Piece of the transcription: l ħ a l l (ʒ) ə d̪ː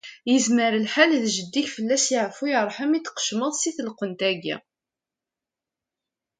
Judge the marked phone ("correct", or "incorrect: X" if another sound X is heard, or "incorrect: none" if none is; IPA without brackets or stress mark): correct